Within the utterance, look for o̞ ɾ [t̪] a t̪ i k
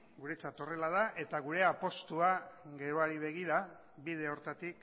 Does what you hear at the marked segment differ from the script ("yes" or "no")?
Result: no